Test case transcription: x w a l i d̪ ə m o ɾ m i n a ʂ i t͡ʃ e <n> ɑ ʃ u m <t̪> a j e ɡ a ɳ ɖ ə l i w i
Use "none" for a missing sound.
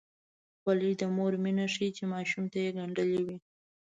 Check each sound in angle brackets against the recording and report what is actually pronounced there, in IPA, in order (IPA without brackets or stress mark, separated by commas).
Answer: m, t̪